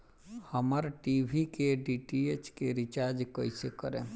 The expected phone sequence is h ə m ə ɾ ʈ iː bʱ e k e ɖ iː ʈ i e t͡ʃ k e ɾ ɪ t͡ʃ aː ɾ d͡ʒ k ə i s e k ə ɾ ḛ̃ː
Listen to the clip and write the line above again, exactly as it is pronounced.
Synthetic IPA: h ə m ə ɾ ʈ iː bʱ i k e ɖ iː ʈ i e t͡ʃ k e ɾ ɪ t͡ʃ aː ɾ d͡ʒ k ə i s e k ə ɾ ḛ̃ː